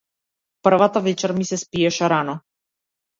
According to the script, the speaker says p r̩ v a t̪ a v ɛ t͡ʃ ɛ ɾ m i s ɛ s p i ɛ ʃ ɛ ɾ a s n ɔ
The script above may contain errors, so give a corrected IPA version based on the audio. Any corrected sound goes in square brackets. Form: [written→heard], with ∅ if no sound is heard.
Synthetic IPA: p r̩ v a t̪ a v ɛ t͡ʃ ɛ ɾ m i s ɛ s p i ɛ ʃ ɛ ɾ a [s→∅] n ɔ